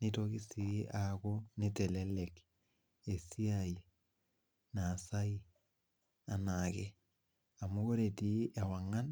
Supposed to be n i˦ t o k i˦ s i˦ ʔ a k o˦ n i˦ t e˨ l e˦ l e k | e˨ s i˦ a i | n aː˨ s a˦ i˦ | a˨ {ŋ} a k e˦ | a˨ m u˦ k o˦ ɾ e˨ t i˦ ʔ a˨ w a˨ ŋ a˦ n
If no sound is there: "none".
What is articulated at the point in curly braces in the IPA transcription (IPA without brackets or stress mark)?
n